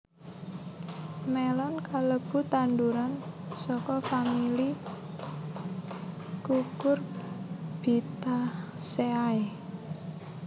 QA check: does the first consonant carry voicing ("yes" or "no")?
yes